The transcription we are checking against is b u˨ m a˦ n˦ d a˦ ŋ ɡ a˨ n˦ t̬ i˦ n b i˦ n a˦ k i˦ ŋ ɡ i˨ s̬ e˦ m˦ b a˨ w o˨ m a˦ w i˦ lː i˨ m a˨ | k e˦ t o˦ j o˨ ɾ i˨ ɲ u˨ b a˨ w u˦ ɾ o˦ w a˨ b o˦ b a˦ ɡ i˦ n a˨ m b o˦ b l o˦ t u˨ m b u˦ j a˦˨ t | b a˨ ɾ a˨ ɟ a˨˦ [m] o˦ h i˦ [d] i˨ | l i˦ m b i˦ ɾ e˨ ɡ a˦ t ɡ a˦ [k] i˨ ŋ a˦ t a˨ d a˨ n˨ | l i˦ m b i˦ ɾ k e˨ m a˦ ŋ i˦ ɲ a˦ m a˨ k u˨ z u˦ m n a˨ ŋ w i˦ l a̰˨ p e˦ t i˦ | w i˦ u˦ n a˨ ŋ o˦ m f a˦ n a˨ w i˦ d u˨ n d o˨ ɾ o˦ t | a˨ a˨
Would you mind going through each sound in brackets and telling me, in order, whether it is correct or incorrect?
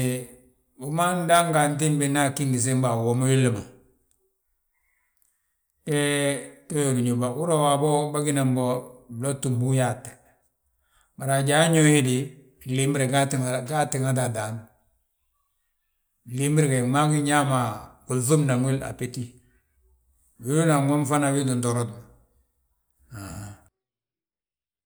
incorrect, correct, incorrect

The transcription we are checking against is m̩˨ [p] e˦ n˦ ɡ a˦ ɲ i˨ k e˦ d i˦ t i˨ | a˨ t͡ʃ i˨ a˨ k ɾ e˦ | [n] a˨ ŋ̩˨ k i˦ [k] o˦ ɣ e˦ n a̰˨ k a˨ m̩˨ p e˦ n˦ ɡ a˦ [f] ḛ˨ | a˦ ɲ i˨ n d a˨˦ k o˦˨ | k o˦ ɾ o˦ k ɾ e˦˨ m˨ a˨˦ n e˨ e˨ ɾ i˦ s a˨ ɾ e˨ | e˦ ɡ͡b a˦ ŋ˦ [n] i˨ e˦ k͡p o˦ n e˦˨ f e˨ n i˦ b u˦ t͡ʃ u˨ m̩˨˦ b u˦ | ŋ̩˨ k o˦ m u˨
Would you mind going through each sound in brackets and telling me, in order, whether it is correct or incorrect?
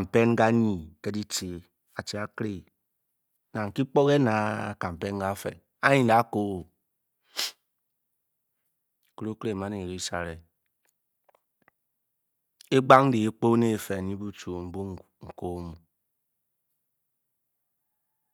correct, correct, incorrect, correct, incorrect

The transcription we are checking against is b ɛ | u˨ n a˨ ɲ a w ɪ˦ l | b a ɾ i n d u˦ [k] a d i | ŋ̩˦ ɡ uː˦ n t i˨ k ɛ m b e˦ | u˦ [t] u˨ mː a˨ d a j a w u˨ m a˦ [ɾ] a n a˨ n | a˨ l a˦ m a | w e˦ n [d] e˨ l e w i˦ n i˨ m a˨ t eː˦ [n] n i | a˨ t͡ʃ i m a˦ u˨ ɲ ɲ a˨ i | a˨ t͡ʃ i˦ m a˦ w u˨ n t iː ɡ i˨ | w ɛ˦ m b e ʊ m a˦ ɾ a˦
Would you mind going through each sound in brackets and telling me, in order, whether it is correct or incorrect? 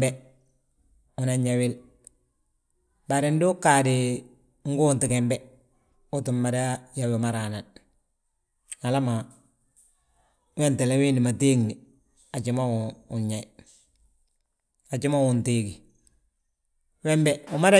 correct, correct, correct, incorrect, incorrect

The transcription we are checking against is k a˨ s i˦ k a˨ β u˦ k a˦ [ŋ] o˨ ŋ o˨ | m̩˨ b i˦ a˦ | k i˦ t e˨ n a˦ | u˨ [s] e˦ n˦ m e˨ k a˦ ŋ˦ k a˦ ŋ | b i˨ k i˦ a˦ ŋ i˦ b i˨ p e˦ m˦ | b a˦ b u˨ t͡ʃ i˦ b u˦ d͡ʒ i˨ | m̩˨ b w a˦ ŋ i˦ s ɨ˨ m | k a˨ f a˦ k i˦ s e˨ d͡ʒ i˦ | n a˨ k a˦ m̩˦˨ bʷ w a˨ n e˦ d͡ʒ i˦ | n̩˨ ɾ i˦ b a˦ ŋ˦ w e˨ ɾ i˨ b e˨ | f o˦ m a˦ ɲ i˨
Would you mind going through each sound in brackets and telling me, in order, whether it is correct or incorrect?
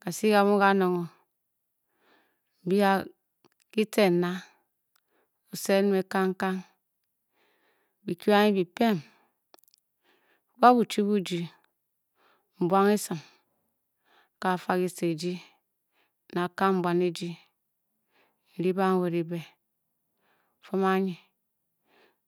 incorrect, correct

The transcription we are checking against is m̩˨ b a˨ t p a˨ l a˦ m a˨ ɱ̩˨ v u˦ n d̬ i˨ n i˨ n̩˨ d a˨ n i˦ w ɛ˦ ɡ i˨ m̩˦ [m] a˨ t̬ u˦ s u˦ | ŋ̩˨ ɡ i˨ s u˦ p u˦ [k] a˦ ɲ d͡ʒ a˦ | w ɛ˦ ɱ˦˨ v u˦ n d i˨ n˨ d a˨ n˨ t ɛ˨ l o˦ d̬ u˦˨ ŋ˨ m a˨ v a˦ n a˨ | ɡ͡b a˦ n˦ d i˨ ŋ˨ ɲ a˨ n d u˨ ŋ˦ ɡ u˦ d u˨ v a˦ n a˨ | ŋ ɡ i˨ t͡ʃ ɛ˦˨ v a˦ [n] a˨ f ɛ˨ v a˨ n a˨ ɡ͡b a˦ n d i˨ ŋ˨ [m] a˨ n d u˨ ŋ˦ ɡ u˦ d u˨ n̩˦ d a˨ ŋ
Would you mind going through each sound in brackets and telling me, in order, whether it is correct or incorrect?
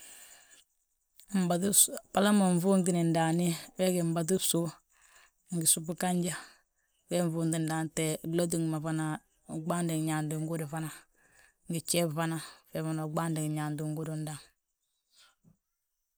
incorrect, correct, correct, incorrect

